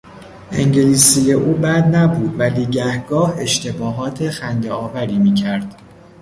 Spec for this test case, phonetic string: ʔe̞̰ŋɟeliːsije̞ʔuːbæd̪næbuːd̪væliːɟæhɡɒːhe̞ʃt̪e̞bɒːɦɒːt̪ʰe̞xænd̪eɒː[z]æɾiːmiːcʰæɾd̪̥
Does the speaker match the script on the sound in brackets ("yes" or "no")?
no